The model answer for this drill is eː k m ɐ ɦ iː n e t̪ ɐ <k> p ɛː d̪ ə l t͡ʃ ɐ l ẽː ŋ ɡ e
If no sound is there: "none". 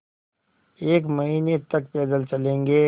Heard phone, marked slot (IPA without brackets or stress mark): k